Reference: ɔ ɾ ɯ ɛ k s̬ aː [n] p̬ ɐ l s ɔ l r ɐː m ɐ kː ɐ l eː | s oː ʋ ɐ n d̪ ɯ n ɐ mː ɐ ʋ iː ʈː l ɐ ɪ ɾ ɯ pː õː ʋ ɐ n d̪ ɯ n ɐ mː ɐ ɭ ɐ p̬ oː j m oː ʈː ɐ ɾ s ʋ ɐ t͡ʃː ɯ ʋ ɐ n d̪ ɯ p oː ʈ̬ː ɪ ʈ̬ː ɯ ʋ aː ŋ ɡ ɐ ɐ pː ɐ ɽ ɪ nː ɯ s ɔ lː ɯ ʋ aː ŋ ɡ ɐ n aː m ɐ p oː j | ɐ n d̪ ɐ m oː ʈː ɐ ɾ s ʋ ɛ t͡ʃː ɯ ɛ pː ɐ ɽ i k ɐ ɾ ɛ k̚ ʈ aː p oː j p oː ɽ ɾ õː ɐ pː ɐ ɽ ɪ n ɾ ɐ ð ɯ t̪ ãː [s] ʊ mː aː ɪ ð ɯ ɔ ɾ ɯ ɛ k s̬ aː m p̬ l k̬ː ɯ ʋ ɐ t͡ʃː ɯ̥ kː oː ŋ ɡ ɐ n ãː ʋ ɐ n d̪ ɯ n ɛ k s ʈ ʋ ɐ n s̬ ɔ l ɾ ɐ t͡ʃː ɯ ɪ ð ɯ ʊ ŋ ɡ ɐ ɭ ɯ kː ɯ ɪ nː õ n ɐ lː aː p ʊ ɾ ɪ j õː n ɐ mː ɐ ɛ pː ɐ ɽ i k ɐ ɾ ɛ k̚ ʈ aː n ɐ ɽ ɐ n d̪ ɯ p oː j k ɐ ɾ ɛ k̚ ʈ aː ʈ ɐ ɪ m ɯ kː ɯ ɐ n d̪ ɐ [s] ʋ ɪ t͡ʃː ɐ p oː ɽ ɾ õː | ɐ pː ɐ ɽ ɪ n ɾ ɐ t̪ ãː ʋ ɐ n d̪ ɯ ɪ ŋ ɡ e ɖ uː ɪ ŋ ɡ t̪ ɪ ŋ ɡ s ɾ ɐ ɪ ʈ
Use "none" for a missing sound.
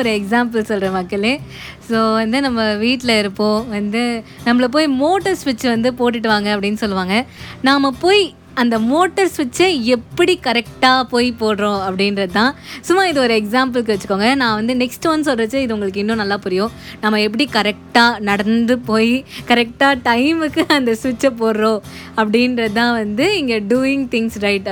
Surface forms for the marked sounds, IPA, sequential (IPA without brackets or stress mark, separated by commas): m, s, s